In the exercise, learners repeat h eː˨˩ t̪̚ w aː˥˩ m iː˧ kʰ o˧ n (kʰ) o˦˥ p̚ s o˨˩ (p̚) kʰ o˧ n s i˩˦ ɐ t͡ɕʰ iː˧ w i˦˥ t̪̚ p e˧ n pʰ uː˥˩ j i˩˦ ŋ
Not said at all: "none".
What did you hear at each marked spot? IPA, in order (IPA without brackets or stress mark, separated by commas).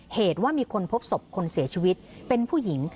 pʰ, p̚